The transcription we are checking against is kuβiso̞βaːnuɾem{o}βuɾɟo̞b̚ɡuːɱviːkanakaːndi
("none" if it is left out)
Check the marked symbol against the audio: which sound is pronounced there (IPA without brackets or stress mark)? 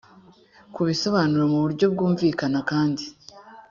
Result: u